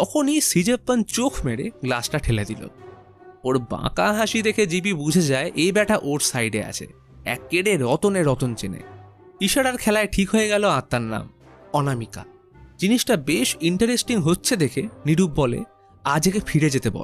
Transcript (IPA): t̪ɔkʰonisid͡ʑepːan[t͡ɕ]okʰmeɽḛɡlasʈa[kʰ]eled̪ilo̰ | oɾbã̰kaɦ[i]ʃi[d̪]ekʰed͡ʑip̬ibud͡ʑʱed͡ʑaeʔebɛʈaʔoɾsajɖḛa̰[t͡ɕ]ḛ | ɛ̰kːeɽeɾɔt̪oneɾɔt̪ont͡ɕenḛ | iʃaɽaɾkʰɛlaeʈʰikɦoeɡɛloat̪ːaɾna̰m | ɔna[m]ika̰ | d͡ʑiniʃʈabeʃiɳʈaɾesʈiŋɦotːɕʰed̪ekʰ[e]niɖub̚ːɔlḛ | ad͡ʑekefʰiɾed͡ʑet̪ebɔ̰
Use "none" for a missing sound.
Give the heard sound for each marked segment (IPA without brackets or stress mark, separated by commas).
t͡ɕ, ʈʰ, a, d̪, t͡ɕʰ, m, e